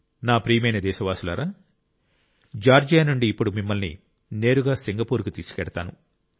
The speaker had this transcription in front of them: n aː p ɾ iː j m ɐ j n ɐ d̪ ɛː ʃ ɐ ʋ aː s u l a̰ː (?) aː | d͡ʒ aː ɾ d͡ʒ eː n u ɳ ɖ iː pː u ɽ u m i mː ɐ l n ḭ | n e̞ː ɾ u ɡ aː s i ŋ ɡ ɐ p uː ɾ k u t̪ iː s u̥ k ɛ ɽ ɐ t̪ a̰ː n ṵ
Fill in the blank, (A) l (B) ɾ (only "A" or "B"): B